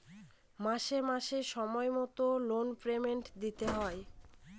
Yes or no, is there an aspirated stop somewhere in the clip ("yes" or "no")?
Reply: no